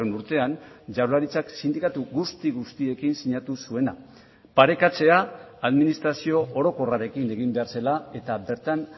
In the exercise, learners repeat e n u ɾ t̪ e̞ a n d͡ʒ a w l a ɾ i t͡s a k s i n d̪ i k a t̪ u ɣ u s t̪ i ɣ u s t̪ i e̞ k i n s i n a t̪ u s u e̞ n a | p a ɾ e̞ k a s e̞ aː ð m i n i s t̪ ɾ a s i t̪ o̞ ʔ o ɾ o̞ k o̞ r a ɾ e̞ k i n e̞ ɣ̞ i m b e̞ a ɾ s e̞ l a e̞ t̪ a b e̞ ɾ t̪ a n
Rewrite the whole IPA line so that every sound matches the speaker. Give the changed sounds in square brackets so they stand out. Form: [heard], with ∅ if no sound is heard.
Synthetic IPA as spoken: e n u ɾ t̪ e̞ a n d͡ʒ a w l a ɾ i t͡s a k s i n d̪ i k a t̪ u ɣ u s t̪ i ɣ u s t̪ i e̞ k i n s i [ɲ] a t̪ u s u e̞ n a | p a ɾ e̞ k a [t͡s] e̞ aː ð m i n i s t̪ ɾ a s i [∅] o̞ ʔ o ɾ o̞ k o̞ r a ɾ e̞ k i n e̞ ɣ̞ i m b e̞ a ɾ s e̞ l a e̞ t̪ a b e̞ ɾ t̪ a n